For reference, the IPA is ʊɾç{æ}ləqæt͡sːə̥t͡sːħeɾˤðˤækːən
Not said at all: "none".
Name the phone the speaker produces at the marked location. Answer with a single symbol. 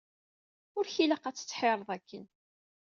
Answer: i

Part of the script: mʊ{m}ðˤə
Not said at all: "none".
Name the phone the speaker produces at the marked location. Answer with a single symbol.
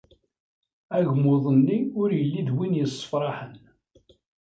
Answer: none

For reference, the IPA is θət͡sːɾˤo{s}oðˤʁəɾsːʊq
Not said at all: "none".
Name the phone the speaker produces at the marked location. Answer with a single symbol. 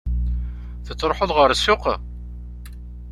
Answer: ħ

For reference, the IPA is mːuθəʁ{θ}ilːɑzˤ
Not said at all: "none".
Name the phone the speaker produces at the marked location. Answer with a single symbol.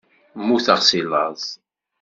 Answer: s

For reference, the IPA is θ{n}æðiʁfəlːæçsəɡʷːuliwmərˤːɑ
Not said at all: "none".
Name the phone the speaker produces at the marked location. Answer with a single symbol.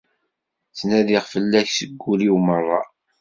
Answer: n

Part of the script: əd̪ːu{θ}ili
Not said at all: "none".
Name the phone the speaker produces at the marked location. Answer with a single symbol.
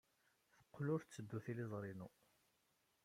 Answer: θ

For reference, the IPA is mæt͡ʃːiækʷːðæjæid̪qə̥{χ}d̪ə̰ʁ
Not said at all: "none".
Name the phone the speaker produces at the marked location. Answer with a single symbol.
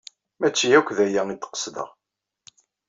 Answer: s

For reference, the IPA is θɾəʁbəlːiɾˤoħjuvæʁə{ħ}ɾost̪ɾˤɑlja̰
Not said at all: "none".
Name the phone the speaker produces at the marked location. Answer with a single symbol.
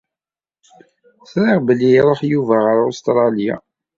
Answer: none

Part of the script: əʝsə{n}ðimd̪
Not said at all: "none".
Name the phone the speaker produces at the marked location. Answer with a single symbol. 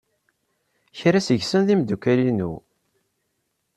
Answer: n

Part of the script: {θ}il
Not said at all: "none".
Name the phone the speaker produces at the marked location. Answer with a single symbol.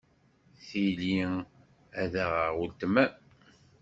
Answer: θ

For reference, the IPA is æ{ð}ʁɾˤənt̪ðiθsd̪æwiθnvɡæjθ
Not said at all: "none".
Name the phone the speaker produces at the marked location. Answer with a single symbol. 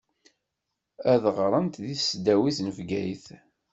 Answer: ð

